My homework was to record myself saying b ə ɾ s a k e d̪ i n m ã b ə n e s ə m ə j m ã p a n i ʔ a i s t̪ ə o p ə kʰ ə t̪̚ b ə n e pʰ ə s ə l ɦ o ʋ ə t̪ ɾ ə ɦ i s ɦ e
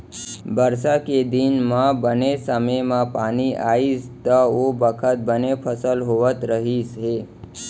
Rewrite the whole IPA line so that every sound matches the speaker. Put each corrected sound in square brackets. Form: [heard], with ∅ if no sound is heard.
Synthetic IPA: b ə ɾ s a k e d̪ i n m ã b ə n e s ə m ə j m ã p a n i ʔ a i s t̪ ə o [b] ə kʰ ə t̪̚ b ə n e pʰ ə s ə l ɦ o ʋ ə t̪ ɾ ə ɦ i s ɦ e